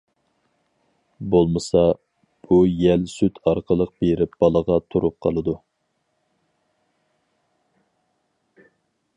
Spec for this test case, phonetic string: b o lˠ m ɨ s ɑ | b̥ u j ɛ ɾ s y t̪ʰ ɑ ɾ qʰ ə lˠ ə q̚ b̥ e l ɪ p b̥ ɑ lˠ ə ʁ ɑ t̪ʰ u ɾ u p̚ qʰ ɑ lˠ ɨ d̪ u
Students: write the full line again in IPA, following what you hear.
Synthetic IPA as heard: b o lˠ m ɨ s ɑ | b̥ u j ɛ l s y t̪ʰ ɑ ɾ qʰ ə lˠ ə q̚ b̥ e ɾ ɪ p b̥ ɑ lˠ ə ʁ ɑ t̪ʰ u ɾ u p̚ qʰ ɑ lˠ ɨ d̪ u

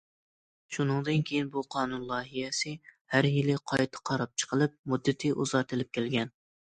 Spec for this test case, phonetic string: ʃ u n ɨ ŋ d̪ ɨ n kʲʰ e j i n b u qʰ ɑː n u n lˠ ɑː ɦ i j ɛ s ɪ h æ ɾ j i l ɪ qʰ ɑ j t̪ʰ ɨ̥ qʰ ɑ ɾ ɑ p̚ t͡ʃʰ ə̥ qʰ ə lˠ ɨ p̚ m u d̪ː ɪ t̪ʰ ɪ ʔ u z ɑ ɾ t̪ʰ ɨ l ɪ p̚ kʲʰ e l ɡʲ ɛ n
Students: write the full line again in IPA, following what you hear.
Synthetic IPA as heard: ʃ u n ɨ ŋ d̪ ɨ n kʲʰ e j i n b u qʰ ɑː n u n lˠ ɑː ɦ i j ɛ s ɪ h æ ɾ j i l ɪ qʰ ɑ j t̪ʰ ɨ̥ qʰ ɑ ɾ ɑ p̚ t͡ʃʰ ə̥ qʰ ə lˠ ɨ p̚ m u d̪ː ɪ t̪ʰ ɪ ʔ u z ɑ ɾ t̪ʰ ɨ l ɪ p̚ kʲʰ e l ɡʲ ɛ n

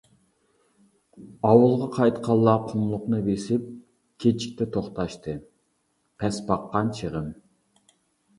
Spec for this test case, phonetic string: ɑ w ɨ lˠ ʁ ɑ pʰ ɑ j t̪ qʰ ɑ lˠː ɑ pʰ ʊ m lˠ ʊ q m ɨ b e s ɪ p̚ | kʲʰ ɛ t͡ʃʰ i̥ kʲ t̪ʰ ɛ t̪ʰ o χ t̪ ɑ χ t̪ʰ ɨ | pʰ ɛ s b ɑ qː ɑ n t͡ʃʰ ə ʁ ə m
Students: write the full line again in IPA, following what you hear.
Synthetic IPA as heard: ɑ w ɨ lˠ ʁ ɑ qʰ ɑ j t̪ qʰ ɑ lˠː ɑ qʰ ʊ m lˠ ʊ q n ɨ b e s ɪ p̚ | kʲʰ e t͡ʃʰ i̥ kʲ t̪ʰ ɛ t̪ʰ o χ t̪ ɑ ʃ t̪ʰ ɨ | pʰ ɛ s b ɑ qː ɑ n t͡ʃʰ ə ʁ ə m

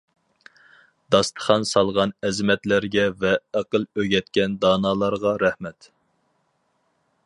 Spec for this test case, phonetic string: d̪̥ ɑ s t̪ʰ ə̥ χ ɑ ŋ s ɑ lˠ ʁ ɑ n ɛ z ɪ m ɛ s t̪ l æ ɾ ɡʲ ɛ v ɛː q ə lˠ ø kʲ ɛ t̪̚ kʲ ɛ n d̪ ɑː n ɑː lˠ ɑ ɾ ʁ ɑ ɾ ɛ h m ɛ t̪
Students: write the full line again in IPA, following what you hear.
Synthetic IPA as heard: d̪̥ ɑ s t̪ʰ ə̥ χ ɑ n s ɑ lˠ ʁ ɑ n ɛ z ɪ m ɛ t̪ l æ ɾ ɡʲ ɛ v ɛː q ə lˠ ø ɡʲ ɛ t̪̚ kʲ ɛ n d̪ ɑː n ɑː lˠ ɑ ɾ ʁ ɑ ɾ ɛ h m ɛ t̪

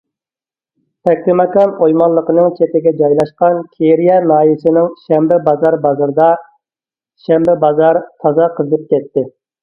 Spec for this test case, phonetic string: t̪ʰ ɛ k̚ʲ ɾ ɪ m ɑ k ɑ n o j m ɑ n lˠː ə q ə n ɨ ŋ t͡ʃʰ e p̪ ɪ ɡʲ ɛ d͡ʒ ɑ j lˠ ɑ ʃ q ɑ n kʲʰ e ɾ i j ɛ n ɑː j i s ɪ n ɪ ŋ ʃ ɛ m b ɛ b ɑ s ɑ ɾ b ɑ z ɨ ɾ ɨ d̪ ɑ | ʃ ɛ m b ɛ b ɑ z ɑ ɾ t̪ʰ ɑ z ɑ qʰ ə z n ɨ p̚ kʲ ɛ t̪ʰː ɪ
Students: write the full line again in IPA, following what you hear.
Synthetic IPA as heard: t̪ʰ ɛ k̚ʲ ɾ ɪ m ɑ k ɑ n o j m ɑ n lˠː ə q ə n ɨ ŋ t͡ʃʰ e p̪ ɪ ɡʲ ɛ d͡ʒ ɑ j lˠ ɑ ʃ q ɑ n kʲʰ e ɾ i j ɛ n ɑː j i s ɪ n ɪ ŋ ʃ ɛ m b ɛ b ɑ z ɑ ɾ b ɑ z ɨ ɾ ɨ d̪ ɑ | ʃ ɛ m b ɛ b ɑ z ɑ ɾ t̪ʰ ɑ z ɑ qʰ ə z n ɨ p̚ kʲ ɛ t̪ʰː ɪ

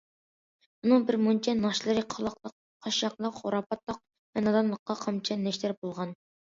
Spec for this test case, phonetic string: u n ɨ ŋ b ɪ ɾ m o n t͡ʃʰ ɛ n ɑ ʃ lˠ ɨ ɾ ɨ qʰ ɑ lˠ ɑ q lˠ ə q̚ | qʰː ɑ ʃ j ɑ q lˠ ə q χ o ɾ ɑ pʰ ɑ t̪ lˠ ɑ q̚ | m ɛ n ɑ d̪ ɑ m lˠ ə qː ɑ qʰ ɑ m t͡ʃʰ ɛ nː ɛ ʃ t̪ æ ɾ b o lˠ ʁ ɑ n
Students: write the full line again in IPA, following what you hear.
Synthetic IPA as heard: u n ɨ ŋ b ɪ ɾ m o n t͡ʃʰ ɛ n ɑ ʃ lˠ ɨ ɾ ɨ qʰ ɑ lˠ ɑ q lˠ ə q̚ | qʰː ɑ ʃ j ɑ q lˠ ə q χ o ɾ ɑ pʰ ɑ t̪ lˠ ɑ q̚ | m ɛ n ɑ d̪ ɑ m lˠ ə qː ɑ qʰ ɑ m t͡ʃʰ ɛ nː ɛ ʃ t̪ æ ɾ b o lˠ ʁ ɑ n

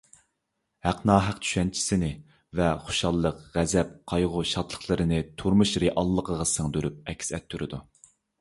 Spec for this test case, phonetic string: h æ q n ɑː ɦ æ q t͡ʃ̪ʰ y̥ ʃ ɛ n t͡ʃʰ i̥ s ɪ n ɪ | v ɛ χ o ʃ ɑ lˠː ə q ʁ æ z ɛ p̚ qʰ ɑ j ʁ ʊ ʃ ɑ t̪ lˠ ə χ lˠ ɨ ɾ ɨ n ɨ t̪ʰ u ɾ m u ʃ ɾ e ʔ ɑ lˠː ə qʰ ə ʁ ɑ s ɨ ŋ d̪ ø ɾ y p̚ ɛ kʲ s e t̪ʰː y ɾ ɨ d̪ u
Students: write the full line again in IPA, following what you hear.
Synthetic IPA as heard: h æ q n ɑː ɦ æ q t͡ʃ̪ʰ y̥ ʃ ɛ n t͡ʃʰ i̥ s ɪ n ɪ | v ɛ χ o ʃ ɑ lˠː ə q ʁ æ z ɛ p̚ qʰ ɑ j ʁ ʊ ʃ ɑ t̪ lˠ ə χ lˠ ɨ ɾ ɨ n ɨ t̪ʰ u ɾ m u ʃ ɾ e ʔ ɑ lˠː ə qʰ ə ʁ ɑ s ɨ ŋ d̪ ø ɾ y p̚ ɛ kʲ s ɛ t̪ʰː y ɾ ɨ d̪ u

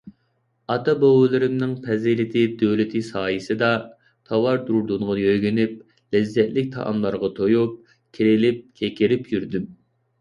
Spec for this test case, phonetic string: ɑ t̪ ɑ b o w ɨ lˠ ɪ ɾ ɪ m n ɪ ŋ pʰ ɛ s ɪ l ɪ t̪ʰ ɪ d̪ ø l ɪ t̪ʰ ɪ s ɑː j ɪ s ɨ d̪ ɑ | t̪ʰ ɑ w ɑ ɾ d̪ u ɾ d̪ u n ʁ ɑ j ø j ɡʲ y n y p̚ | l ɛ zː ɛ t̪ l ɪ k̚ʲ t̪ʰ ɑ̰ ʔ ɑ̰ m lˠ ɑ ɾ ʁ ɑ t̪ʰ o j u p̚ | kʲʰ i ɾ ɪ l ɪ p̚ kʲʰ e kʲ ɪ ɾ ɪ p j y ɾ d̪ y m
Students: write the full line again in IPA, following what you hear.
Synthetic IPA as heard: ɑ t̪ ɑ b o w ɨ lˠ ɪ ɾ ɪ m n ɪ ŋ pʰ ɛ z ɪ l ɪ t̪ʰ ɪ d̪ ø l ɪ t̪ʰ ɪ s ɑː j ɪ s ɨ d̪ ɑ | t̪ʰ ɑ w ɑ ɾ d̪ u ɾ d̪ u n ʁ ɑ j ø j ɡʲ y n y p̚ | l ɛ zː ɛ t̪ l ɪ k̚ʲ t̪ʰ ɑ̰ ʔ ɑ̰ m lˠ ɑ ɾ ʁ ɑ t̪ʰ o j u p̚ | kʲʰ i ɾ ɪ l ɪ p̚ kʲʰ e kʲ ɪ ɾ ɪ p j y ɾ d̪ y m

